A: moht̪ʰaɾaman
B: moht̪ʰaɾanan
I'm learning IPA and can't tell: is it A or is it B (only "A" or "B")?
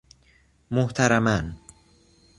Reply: A